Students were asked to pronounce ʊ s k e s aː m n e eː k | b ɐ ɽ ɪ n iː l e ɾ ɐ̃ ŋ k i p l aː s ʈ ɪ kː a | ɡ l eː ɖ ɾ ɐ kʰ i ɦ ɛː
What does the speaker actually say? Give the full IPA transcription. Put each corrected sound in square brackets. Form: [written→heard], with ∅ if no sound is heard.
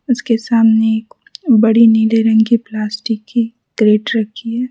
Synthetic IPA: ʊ s k e s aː m n e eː k | b ɐ ɽ [ɪ→i] n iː l e ɾ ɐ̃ ŋ [k→ɡ] i p l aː s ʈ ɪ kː [a→i] | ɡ [l→ɾ] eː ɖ ɾ ɐ kʰ i ɦ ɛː